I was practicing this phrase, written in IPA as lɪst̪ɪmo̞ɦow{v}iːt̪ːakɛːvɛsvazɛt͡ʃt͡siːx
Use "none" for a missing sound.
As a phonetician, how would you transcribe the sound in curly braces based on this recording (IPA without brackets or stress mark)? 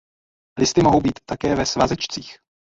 b